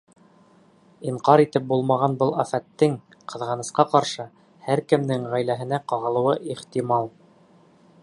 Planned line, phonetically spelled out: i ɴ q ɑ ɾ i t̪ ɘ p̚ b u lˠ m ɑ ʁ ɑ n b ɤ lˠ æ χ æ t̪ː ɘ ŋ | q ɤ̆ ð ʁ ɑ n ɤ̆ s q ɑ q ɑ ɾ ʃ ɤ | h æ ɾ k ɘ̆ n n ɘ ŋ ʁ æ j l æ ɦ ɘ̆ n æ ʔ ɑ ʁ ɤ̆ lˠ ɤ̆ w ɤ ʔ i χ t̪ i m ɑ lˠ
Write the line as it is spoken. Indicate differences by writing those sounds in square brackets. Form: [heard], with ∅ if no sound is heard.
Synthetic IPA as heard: i ɴ q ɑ ɾ i t̪ ɘ p̚ b u lˠ m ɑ ʁ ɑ n b ɤ lˠ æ [f] æ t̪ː ɘ ŋ | q ɤ̆ ð ʁ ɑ n ɤ̆ s q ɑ q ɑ ɾ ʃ ɤ | h æ ɾ k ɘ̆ [m] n ɘ ŋ ʁ æ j l æ ɦ ɘ̆ n æ [q] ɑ ʁ ɤ̆ lˠ ɤ̆ w ɤ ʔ i χ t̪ i m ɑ lˠ